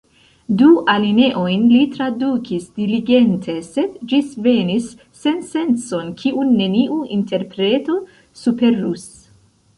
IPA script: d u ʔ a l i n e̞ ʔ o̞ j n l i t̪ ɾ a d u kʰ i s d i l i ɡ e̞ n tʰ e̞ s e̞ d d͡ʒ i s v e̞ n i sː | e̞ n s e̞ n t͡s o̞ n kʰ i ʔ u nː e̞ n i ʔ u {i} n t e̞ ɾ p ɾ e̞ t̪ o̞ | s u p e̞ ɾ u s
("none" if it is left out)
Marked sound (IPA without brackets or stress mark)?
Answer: i